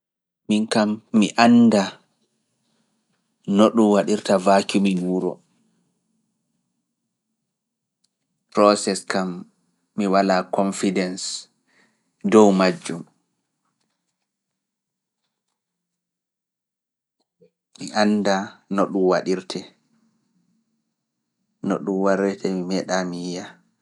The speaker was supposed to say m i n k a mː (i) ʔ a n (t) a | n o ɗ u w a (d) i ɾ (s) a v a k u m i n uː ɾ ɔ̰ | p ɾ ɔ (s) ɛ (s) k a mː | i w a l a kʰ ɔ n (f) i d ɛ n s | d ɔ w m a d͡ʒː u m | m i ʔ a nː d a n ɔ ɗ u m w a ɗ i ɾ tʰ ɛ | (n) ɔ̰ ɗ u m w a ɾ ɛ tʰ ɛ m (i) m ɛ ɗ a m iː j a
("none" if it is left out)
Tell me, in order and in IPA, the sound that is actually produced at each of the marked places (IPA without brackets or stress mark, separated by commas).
i, d, ɗ, t, s, s, f, n, i